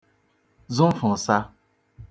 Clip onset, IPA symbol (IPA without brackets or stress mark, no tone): z